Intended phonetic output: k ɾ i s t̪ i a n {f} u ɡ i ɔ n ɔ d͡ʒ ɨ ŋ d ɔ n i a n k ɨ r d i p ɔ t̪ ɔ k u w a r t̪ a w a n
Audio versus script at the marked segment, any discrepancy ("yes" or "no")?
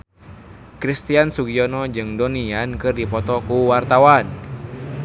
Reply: yes